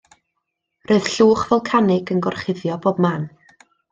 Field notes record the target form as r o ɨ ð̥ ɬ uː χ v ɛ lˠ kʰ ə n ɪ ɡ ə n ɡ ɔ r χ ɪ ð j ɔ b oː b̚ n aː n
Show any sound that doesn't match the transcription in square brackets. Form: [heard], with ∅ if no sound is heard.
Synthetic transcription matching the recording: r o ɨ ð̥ ɬ uː χ v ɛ lˠ kʰ [a] n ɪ ɡ ə n ɡ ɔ r χ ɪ ð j ɔ b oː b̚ [m] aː n